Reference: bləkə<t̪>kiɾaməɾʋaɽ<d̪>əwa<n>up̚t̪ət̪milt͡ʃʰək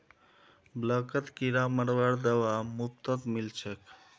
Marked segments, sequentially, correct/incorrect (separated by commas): correct, correct, incorrect